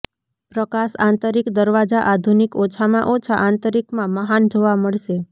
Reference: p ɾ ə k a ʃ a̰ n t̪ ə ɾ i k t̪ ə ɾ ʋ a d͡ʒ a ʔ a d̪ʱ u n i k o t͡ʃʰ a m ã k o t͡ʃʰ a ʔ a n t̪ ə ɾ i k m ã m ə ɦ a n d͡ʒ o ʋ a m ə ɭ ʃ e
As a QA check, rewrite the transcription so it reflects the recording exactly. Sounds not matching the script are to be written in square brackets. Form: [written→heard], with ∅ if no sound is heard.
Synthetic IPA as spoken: p ɾ ə k a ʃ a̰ n t̪ ə ɾ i k [t̪→d̪] ə ɾ ʋ a d͡ʒ a ʔ a d̪ʱ u n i k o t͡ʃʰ a m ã [k→ʔ] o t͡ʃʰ a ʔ a n t̪ ə ɾ i k m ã m ə ɦ a n d͡ʒ o ʋ a m ə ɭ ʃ e

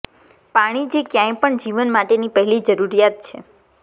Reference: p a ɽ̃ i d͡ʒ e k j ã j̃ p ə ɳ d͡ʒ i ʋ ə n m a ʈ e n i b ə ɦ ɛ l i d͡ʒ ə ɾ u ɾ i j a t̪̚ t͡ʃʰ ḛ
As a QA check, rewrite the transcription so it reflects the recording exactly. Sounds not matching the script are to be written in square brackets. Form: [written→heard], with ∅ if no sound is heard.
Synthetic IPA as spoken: p a ɽ̃ i d͡ʒ e k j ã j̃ p ə ɳ d͡ʒ i ʋ ə n m a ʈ e n i [b→p] ə ɦ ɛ l i d͡ʒ ə ɾ u ɾ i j a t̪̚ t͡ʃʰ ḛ

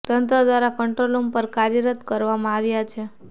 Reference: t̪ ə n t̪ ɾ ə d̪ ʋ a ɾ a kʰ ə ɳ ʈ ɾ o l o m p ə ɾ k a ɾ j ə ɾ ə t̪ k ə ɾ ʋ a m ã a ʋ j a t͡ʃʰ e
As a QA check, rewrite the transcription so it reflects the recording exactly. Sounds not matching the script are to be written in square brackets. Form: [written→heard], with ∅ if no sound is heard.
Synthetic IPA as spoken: t̪ ə n t̪ ɾ ə d̪ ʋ a ɾ a [kʰ→k] ə ɳ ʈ ɾ o l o m p ə ɾ k a ɾ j ə ɾ ə t̪ k ə ɾ ʋ a m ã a ʋ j a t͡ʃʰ e

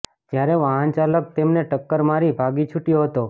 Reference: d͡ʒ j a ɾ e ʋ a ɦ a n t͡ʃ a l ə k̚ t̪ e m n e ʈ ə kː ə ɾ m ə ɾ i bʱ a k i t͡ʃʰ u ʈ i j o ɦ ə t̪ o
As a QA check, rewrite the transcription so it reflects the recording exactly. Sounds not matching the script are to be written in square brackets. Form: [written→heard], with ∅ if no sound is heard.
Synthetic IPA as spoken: d͡ʒ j a ɾ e ʋ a ɦ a n t͡ʃ a l ə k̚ t̪ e m n e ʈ ə kː ə ɾ m [ə→a] ɾ i bʱ a [k→ɡ] i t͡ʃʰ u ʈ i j o ɦ ə t̪ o

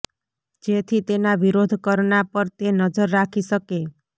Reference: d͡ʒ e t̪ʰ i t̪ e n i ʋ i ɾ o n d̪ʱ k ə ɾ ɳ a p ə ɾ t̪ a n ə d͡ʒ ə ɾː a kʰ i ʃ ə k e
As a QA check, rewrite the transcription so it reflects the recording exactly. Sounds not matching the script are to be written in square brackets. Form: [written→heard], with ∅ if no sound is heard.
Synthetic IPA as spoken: d͡ʒ e t̪ʰ i t̪ e n [i→a] ʋ i ɾ o [n→∅] d̪ʱ k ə ɾ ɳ a p ə ɾ t̪ [a→e] n ə d͡ʒ ə ɾː a kʰ i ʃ ə k e

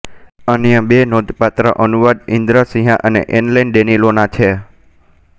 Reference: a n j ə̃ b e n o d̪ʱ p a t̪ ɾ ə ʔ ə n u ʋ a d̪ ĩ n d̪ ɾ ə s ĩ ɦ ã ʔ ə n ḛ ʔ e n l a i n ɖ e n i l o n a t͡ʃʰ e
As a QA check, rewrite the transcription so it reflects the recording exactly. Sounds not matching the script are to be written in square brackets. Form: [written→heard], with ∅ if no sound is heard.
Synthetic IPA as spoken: [a→ə] n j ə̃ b e n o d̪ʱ p a t̪ ɾ ə ʔ ə n u ʋ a d̪ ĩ n d̪ ɾ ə s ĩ ɦ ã ʔ ə n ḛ ʔ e n l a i n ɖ e n i l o n a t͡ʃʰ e

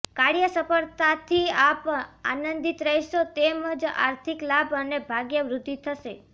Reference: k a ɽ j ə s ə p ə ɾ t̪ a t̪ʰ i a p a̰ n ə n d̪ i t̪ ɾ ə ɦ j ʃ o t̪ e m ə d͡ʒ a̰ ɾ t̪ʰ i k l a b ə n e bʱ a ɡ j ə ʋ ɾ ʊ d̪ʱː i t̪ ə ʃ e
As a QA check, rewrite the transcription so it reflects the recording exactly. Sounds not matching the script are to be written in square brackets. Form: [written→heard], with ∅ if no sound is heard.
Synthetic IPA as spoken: k a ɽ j ə s ə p ə ɾ t̪ a t̪ʰ i a p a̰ n ə n d̪ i t̪ ɾ ə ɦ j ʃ o t̪ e m ə d͡ʒ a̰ ɾ t̪ʰ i k l a b ə n e bʱ a ɡ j ə ʋ ɾ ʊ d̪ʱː i [t̪→t̪ʰ] ə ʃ e

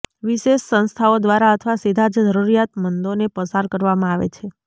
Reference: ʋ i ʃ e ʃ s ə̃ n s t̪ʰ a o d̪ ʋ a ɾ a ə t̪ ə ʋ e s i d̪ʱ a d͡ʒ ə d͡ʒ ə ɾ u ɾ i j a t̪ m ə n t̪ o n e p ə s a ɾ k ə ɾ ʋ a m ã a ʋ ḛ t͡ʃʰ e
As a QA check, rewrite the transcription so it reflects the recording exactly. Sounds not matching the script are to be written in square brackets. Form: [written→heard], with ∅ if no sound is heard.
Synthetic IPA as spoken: ʋ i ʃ e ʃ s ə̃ n s t̪ʰ a o d̪ ʋ a ɾ a ə [t̪→t̪ʰ] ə ʋ [e→a] s i d̪ʱ a d͡ʒ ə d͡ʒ ə ɾ u ɾ i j a t̪ m ə n [t̪→d̪] o n e p ə s a ɾ k ə ɾ ʋ a m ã a ʋ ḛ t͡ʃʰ e

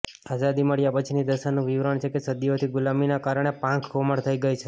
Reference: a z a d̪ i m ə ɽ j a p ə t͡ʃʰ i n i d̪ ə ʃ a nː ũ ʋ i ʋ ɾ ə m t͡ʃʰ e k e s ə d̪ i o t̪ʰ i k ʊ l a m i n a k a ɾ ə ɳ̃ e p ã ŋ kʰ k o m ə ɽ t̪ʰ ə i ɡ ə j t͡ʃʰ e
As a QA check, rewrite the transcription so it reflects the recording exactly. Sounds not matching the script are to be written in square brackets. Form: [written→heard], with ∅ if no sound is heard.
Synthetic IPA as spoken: a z a d̪ i m ə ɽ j a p ə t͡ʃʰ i n i d̪ ə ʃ a [nː→n] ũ ʋ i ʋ ɾ ə [m→ɳ] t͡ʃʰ e k e s ə d̪ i o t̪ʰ i [k→ɡ] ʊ l a m i n a k a ɾ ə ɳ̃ e p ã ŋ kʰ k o m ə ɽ t̪ʰ ə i ɡ ə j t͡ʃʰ e

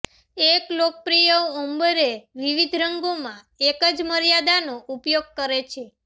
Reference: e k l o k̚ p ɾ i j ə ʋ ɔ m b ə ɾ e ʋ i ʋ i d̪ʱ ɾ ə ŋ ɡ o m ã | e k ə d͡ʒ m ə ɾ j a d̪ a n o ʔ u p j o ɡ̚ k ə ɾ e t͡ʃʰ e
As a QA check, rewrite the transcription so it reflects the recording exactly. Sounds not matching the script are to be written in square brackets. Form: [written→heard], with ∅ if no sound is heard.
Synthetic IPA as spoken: e k l o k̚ p ɾ i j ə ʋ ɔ m b ə ɾ e ʋ i ʋ i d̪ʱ ɾ ə ŋ ɡ o m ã | e k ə d͡ʒ m ə ɾ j a d̪ a n o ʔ u p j o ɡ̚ k ə ɾ e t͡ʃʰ e

